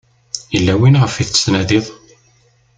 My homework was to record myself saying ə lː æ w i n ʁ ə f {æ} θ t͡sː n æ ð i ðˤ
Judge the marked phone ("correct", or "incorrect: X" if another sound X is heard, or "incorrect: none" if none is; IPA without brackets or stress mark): incorrect: i